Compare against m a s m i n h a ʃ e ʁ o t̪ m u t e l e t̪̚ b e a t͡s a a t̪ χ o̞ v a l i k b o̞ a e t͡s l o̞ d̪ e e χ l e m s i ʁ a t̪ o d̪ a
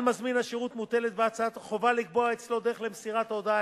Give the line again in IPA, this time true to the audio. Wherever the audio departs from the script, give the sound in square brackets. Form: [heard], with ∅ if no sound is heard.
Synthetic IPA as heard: m a [z] m i n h a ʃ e ʁ [u] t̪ m u t e l e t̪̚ b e a t͡s a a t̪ χ o̞ v a l i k b o̞ a e t͡s l o̞ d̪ e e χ l e m s i ʁ a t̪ o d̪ a